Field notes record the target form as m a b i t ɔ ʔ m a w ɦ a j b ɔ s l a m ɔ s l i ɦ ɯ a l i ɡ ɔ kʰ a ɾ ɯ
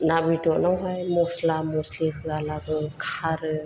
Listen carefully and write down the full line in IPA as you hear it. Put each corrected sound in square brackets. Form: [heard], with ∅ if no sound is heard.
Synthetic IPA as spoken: [n] a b i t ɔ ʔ [n] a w ɦ a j [m] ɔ s l a m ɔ s l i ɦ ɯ a l [a] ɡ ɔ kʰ a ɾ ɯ